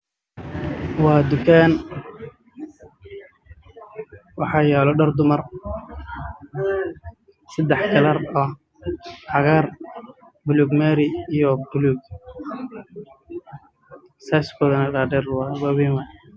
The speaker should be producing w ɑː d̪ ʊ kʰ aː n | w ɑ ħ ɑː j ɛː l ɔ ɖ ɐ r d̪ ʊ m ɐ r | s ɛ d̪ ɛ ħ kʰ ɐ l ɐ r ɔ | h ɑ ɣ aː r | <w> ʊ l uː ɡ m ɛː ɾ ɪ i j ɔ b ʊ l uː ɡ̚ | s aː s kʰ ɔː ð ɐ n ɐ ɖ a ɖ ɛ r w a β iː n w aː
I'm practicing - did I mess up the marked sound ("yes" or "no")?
yes